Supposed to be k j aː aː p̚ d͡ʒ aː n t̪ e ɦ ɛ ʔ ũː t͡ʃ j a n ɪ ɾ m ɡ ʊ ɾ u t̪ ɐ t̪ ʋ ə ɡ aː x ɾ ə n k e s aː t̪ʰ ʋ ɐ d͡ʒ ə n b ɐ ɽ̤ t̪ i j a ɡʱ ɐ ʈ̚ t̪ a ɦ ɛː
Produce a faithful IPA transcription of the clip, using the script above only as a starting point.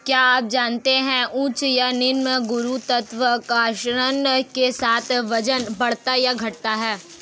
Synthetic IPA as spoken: k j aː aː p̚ d͡ʒ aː n t̪ e ɦ ɛ̃ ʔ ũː t͡ʃ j a n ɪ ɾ m ɡ ʊ ɾ u t̪ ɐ t̪ ʋ ə k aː ʃ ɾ ə n k e s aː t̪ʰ ʋ ɐ d͡ʒ ə n b ɐ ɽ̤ t̪ a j a ɡʱ ɐ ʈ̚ t̪ a ɦ ɛː

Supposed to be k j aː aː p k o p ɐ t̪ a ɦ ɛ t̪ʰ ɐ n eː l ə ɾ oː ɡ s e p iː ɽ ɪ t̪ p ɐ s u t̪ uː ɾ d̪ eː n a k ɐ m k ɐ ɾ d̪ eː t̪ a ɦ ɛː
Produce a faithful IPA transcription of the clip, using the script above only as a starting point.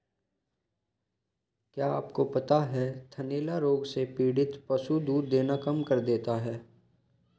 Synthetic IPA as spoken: k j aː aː p k o p ɐ t̪ a ɦ ɛ t̪ʰ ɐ n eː l a ɾ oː ɡ s e p iː ɽ ɪ t̪ p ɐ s u d̪ uː ɾ d̪ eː n a k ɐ m k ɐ ɾ d̪ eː t̪ a ɦ ɛː

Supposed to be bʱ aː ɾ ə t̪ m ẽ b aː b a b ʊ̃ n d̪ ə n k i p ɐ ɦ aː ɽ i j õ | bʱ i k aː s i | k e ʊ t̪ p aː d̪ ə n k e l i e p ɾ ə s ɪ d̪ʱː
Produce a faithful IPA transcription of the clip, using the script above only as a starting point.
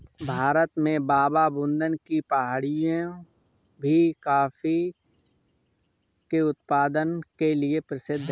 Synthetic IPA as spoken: bʱ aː ɾ ə t̪ m ẽ b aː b a b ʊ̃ n d̪ ə n k i p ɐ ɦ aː ɽ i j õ | bʱ i k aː f i | k e ʊ t̪ p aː d̪ ə n k e l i e p ɾ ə s ɪ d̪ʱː

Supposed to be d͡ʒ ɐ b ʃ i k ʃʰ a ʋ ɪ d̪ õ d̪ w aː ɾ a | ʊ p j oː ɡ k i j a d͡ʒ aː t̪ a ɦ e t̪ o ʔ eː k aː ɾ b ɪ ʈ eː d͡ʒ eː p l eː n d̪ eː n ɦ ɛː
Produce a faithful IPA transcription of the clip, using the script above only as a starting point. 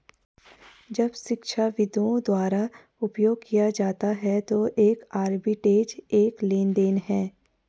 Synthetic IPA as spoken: d͡ʒ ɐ b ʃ ɪ k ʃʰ a ʋ ɪ d̪ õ d̪ w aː ɾ a | ʊ p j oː ɡ k i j a d͡ʒ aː t̪ a ɦ ɛ t̪ o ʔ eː k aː ɾ b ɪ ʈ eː d͡ʒ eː k l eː n d̪ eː n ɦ ɛː

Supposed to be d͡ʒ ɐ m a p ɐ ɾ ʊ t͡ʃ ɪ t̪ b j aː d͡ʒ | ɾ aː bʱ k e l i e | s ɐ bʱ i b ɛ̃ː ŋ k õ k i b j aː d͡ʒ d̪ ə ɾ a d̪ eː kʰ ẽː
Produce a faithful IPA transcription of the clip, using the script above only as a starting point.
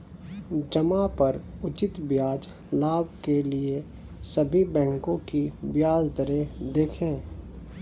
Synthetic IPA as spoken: d͡ʒ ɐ m a p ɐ ɾ ʊ t͡ʃ ɪ t̪ b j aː d͡ʒ | l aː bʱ k e l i e | s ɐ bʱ i b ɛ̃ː ŋ k õ k i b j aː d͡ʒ d̪ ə ɾ e d̪ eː kʰ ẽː

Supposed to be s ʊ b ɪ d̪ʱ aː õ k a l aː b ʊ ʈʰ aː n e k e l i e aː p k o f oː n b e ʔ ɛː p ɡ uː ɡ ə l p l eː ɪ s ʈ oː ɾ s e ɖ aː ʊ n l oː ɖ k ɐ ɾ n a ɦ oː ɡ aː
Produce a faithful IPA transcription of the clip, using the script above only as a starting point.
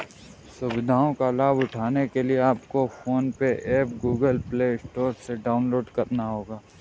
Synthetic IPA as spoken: s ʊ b ɪ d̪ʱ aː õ k a l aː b ʊ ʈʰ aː n e k e l i e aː p k o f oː n p e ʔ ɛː p ɡ uː ɡ ə l p l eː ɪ s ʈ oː ɾ s e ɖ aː ʊ n l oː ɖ k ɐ ɾ n a ɦ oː ɡ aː

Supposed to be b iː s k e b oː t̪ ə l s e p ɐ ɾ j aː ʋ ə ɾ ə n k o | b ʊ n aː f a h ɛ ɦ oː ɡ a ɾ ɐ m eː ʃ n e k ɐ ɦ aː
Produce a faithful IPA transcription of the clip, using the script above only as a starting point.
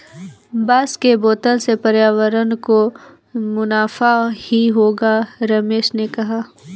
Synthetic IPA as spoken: b aː s k e b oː t̪ ə l s e p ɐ ɾ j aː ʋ ə ɾ ə n k o | m ʊ n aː f a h i ɦ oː ɡ a ɾ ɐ m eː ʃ n e k ɐ ɦ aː

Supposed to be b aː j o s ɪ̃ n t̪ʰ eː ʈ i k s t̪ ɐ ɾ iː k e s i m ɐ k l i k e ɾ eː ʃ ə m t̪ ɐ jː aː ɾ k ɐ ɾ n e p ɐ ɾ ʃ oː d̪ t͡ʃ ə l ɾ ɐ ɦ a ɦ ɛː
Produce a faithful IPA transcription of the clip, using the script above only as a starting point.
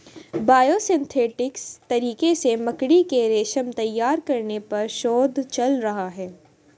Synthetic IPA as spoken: b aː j o s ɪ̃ n t̪ʰ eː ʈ ɪ k s t̪ ɐ ɾ iː k e s e m ɐ k ɽ i k e ɾ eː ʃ ə m t̪ ɐ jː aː ɾ k ɐ ɾ n e p ɐ ɾ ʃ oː d̪ t͡ʃ ɐ l ɾ ɐ ɦ a ɦ ɛː

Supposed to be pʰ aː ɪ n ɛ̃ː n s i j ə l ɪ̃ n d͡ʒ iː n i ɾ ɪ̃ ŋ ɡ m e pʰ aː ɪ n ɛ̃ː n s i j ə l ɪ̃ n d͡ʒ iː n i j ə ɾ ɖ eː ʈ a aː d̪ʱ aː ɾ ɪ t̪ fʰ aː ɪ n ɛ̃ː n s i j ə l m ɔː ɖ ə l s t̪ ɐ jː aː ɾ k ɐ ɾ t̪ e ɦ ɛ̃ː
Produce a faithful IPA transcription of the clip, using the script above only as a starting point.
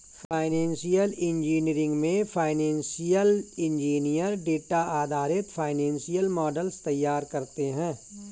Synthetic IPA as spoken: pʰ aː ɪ n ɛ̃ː n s i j ə l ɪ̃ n d͡ʒ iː n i ɾ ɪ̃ ŋ ɡ m ẽ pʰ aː ɪ n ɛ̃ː n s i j ə l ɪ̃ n d͡ʒ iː n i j ə ɾ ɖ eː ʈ a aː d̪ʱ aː ɾ ɪ t̪ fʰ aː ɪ n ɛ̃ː n s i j ə l m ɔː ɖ ə l s t̪ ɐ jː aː ɾ k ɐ ɾ t̪ e ɦ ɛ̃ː

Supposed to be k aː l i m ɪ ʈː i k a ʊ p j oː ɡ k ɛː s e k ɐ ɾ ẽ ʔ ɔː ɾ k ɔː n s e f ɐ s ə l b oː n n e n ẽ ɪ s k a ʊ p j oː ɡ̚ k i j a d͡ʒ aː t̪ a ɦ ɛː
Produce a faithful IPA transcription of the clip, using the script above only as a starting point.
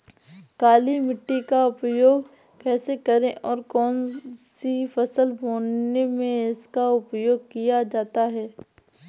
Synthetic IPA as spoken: k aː l i m ɪ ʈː i k a ʊ p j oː ɡ k ɛː s e k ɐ ɾ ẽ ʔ ɔː ɾ k ɔː n s i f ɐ s ə l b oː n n e m ẽ ɪ s k a ʊ p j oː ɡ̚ k i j a d͡ʒ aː t̪ a ɦ ɛː

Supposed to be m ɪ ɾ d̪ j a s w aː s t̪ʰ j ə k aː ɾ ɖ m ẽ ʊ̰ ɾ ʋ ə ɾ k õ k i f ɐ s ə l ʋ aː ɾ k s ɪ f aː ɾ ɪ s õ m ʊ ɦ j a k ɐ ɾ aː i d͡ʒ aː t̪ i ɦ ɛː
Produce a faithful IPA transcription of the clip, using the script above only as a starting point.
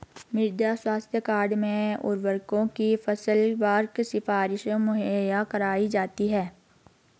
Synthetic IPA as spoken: m ɪ ɾ d̪ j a s w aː s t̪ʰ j ə k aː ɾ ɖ m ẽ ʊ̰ ɾ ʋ ə ɾ k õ k i f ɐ s ə l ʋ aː ɾ k s ɪ f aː ɾ ɪ ʃ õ m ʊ ɦ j a k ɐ ɾ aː i d͡ʒ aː t̪ i ɦ ɛː

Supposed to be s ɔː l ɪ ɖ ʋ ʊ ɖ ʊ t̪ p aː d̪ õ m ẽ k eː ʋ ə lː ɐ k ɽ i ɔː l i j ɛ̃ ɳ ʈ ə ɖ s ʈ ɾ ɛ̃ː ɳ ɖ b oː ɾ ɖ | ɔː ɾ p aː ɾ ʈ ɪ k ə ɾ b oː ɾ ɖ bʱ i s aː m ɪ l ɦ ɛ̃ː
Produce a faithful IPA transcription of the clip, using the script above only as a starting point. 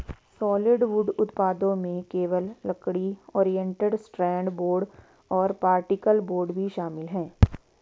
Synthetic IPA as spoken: s ɔː l ɪ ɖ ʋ ʊ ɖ ʊ t̪ p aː d̪ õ m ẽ k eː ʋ ə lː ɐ k ɽ i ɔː ɾ i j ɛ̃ ɳ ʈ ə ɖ s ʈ ɾ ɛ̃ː ɳ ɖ b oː ɾ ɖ | ɔː ɾ p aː ɾ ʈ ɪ k ə l b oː ɾ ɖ bʱ i ʃ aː m ɪ l ɦ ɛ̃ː

